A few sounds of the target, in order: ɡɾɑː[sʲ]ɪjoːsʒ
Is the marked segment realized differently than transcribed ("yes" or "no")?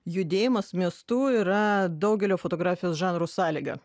yes